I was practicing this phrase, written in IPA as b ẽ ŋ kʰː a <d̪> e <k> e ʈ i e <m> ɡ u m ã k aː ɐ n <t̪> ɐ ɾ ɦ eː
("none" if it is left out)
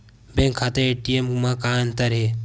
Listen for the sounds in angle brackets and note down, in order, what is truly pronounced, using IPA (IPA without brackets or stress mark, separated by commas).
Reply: t̪, none, m, t̪